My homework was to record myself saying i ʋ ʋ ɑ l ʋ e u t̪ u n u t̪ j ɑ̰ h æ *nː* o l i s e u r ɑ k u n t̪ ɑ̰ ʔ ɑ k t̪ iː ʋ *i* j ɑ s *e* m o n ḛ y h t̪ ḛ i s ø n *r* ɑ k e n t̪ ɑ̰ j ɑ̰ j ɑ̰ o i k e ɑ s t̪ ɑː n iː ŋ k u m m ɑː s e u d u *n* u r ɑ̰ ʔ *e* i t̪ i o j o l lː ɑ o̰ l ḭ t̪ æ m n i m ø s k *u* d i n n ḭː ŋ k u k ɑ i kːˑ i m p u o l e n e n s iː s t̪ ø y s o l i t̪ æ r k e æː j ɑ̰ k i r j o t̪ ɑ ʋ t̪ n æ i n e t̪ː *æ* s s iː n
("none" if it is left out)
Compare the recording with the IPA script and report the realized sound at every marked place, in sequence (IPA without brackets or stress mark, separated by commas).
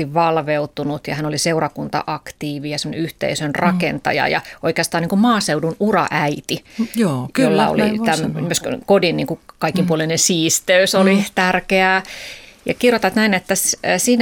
n, i, e, r, n, æ, o, æ